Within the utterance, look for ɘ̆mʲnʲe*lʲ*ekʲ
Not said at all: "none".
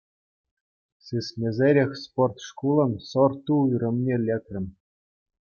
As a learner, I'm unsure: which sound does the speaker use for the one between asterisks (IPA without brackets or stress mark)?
lʲ